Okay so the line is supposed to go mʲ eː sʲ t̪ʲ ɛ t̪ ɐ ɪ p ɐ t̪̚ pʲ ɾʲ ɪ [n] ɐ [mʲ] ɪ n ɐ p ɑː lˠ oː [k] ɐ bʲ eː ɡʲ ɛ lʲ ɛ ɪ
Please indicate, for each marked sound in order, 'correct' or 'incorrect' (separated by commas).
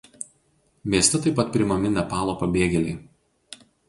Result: incorrect, correct, incorrect